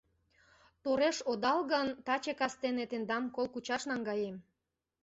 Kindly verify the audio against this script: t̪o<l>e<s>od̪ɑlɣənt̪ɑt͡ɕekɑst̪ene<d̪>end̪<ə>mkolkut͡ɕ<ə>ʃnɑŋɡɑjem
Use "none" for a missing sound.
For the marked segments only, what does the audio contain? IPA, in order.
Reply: ɾ, ʃ, t̪, ɑ, ɑ

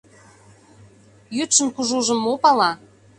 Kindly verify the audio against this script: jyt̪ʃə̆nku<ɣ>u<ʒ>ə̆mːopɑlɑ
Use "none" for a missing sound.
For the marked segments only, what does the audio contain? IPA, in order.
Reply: ʒ, ʒ

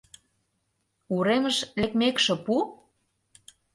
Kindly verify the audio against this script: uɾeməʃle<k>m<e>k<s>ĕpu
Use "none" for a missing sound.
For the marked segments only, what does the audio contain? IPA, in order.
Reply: k, e, ʃ

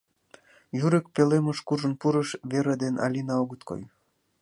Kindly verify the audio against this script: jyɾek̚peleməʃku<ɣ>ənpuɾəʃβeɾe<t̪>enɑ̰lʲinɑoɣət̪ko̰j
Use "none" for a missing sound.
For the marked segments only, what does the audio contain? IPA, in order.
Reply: ʒ, d̪

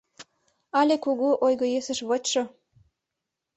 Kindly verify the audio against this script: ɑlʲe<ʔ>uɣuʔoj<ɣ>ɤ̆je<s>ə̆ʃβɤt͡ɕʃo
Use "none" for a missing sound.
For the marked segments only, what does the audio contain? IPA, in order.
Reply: k, ɣ, s

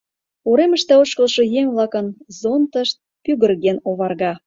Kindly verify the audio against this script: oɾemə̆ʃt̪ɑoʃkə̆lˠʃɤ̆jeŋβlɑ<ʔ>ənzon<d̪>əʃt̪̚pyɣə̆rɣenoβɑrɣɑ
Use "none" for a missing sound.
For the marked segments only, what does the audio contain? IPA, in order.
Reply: k, t̪

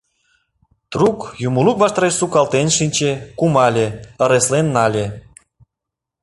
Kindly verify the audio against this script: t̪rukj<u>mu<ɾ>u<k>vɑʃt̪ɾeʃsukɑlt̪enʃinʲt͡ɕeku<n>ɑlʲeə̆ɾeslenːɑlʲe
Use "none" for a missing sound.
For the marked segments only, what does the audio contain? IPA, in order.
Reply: u, l, k, m

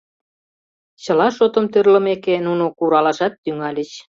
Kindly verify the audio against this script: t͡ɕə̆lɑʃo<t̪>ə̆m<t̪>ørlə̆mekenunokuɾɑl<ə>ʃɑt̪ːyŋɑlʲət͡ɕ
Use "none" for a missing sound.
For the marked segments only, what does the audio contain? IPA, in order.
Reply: t̪, t̪, ɑ

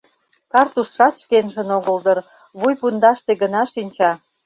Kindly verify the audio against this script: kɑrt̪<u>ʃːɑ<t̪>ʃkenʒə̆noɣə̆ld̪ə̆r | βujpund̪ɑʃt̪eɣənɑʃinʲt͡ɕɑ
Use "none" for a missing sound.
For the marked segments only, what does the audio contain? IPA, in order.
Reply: u, t̪

